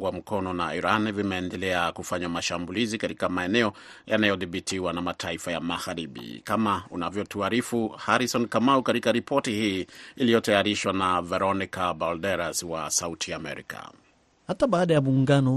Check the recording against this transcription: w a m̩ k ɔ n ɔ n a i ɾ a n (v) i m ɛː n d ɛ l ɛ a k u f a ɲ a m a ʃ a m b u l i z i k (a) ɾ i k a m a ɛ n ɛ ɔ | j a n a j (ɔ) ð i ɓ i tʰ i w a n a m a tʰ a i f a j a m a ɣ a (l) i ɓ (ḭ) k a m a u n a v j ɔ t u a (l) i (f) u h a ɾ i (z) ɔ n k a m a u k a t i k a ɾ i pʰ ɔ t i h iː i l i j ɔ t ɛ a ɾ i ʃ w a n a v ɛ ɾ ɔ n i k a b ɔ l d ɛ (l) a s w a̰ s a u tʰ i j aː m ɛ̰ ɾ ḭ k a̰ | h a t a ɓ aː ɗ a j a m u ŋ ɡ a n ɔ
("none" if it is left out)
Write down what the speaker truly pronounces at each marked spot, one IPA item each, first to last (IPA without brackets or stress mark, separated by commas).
v, a, ɔ, ɾ, ḭ, ɾ, f, s, ɾ